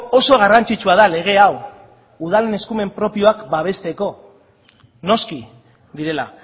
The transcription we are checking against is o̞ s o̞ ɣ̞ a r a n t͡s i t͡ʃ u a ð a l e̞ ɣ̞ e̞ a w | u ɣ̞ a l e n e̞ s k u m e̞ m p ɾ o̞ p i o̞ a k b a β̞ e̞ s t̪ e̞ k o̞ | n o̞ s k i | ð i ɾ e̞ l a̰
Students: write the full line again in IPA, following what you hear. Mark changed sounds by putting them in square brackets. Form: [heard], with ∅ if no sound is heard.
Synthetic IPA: o̞ s o̞ ɣ̞ a r a n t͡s i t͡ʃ u a ð a l e̞ ɣ̞ e̞ a w | u [ð̞] a l e n e̞ s k u m e̞ m p ɾ o̞ p i o̞ a k b a β̞ e̞ s t̪ e̞ k o̞ | n o̞ s k i | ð i ɾ e̞ l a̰